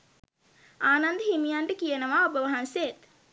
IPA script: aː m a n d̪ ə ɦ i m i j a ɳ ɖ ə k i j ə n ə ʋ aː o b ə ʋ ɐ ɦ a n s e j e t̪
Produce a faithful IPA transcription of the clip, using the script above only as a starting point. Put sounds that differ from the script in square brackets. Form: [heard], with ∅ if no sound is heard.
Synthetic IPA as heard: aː [n] a n d̪ ə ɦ i m i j a ɳ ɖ ə k i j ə n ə ʋ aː o b ə ʋ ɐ ɦ a n s e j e t̪